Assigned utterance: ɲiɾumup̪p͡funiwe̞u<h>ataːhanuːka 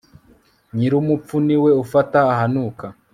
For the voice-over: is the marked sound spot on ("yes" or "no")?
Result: no